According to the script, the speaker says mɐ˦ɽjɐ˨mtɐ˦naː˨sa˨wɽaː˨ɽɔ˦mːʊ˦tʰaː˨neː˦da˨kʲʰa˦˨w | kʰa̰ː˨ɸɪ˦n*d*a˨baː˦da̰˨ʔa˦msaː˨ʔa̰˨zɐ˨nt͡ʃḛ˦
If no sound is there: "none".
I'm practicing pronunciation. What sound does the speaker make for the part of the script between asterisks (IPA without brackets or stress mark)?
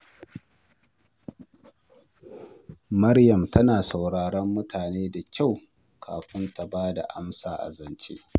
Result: t